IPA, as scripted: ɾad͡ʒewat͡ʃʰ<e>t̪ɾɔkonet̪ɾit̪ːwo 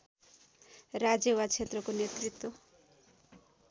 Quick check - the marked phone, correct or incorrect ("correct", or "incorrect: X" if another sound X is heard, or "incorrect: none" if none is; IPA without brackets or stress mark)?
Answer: correct